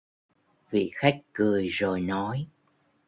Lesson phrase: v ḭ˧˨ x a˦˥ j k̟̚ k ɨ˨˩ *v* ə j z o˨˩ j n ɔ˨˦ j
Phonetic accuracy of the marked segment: incorrect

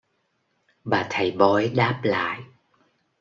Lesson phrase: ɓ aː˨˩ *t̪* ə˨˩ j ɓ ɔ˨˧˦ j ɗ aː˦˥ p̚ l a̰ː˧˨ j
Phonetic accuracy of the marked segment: incorrect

